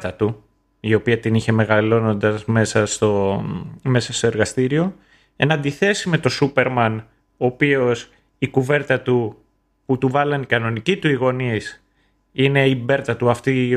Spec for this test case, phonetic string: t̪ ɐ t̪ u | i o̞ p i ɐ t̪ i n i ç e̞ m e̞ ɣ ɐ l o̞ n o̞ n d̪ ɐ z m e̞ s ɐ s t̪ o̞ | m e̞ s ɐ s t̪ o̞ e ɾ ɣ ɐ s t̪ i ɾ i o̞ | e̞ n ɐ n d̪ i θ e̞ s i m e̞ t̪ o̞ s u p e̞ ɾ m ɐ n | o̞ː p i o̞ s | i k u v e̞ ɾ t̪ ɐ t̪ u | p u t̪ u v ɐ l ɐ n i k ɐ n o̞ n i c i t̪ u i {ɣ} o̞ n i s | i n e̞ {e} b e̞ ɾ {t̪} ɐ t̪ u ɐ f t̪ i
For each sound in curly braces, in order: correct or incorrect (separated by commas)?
correct, incorrect, correct